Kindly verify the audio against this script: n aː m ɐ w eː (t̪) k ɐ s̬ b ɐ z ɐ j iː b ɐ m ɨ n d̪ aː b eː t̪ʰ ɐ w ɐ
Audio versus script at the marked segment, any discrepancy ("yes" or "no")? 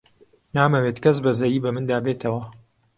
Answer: no